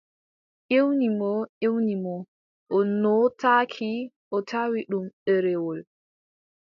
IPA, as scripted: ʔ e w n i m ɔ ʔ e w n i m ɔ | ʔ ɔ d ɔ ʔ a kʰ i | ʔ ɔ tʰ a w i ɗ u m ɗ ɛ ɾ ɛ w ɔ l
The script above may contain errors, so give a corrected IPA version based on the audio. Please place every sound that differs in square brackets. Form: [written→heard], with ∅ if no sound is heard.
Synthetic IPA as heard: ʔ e w n i m ɔ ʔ e w n i m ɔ | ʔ ɔ [d→n] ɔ [ʔ→t] a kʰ i | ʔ ɔ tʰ a w i ɗ u m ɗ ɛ ɾ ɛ w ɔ l

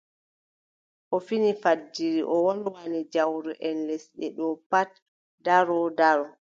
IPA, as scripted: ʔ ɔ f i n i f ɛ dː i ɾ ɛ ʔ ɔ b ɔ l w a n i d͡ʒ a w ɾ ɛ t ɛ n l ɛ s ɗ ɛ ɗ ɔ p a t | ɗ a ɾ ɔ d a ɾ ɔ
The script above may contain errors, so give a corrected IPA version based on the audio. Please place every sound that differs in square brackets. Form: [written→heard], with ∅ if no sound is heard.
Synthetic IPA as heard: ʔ ɔ f i n i f [ɛ→a] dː i ɾ [ɛ→i] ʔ ɔ [b→w] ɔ l w a n i d͡ʒ a w ɾ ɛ [t→ʔ] ɛ n l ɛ s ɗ ɛ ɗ ɔ p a t | [ɗ→d] a ɾ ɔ d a ɾ ɔ

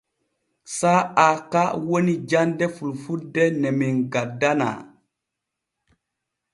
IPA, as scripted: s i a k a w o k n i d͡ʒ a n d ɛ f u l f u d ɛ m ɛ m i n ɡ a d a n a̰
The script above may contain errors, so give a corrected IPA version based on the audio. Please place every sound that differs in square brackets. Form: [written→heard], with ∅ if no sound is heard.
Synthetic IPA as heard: s [i→a] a k a w o [k→∅] n i d͡ʒ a n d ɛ f u l f u d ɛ [m→n] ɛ m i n ɡ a d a n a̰

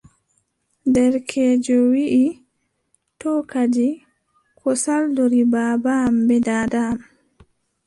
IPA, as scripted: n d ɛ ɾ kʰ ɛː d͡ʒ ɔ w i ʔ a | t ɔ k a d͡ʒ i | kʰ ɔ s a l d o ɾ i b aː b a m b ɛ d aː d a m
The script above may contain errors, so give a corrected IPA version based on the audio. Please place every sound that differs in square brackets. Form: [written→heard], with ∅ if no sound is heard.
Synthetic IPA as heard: n d ɛ ɾ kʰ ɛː d͡ʒ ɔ w i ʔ [a→i] | t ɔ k a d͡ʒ i | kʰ ɔ s a l d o ɾ i b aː b a m b ɛ d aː d a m

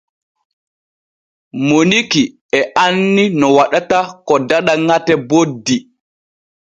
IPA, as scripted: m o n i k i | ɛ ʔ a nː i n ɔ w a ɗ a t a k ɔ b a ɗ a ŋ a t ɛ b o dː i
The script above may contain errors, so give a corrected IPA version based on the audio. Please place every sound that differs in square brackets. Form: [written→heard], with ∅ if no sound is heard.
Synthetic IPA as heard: m o n i k i | ɛ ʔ a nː i n ɔ w a ɗ a t a k ɔ [b→d] a ɗ a ŋ a t ɛ b o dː i

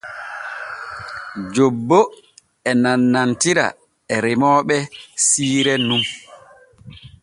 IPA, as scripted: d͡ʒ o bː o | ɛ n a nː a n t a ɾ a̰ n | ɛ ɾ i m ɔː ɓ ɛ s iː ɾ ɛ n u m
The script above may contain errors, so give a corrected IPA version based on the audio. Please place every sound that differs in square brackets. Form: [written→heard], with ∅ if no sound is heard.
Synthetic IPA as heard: d͡ʒ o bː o | ɛ n a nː a n t [a→i] ɾ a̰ [n→∅] | ɛ ɾ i m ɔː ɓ ɛ s iː ɾ ɛ n u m

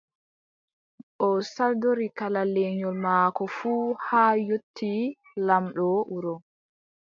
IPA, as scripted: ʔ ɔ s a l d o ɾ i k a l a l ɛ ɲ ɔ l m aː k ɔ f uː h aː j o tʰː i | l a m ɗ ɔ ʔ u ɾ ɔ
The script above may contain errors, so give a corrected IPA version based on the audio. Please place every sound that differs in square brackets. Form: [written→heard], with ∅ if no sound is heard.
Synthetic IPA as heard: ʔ ɔ s a l d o ɾ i k a l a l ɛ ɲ ɔ l m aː k ɔ f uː h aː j o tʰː i | l a m ɗ ɔ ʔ u ɾ ɔ

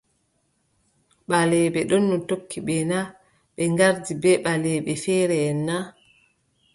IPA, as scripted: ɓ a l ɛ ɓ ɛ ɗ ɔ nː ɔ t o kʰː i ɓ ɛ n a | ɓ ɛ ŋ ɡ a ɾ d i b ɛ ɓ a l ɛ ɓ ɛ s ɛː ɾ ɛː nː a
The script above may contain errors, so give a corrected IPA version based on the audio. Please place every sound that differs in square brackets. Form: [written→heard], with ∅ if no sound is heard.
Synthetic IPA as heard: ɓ a l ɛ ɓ ɛ ɗ ɔ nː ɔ t o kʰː i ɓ ɛ n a | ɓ ɛ ŋ ɡ a ɾ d i b ɛ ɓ a l ɛ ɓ ɛ [s→f] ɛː ɾ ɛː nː a

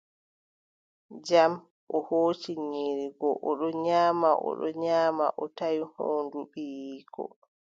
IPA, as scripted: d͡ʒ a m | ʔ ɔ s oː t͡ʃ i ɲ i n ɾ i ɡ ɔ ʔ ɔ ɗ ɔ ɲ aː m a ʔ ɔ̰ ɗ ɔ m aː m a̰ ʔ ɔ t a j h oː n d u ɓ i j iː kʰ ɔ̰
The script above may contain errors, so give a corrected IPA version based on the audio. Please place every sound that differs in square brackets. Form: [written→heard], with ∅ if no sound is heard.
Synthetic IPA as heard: d͡ʒ a m | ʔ ɔ [s→h] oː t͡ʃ i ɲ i [n→∅] ɾ i ɡ ɔ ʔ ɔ ɗ ɔ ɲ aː m a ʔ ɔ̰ ɗ ɔ [m→ɲ] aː m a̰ ʔ ɔ t a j h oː n d u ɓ i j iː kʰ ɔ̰

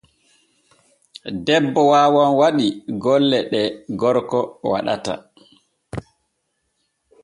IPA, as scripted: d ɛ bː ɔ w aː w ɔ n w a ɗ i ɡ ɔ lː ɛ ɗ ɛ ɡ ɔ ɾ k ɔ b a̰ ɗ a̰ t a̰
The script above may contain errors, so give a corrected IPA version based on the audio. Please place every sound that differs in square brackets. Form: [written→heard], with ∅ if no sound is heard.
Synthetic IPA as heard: d ɛ bː ɔ w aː w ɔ n w a ɗ i ɡ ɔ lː ɛ ɗ ɛ ɡ ɔ ɾ k ɔ [b→w] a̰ ɗ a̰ t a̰

